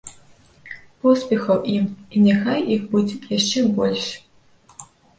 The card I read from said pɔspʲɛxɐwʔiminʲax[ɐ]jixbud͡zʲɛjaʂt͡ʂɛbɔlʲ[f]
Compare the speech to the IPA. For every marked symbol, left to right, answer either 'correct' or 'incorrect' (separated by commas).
incorrect, incorrect